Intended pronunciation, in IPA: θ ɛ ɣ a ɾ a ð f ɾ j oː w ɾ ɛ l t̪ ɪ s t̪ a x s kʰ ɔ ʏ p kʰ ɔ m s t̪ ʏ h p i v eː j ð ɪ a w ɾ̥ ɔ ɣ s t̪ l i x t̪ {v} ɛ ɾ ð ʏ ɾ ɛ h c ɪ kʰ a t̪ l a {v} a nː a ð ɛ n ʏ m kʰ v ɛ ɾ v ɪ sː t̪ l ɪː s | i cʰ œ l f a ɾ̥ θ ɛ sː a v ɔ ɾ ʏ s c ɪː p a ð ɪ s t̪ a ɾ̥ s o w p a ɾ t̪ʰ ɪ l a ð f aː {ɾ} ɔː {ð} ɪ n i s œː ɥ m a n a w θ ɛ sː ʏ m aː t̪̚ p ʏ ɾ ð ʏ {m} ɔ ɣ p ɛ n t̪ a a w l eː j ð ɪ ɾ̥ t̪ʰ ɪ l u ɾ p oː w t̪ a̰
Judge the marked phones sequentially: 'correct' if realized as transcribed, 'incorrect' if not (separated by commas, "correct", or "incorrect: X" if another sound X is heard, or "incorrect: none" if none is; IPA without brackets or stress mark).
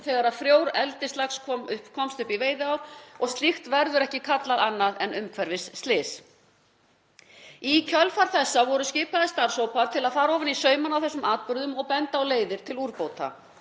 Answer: correct, incorrect: ð, correct, incorrect: v, correct